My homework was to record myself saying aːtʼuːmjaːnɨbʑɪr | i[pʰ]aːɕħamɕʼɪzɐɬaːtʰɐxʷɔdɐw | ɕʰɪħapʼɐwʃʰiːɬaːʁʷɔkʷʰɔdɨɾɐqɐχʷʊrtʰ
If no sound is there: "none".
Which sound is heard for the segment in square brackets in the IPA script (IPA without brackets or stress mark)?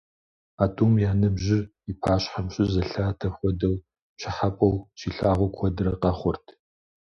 pʰ